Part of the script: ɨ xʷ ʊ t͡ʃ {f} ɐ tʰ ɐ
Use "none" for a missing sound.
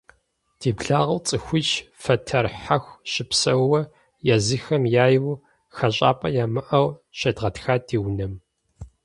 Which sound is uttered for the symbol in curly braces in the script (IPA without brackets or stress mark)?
f